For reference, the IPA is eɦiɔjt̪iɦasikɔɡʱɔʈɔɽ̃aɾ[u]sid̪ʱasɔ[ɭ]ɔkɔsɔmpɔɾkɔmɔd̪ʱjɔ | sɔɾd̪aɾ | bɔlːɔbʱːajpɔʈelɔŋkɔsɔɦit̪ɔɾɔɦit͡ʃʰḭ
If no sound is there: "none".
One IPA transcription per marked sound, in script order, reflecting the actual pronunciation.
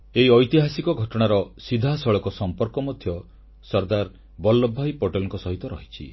ɔ, ɭ

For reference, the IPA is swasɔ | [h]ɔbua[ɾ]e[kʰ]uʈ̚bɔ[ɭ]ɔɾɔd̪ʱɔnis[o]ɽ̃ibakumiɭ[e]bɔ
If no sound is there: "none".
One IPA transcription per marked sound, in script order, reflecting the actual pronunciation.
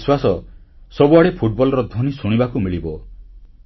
s, ɽ, pʰ, l, u, i

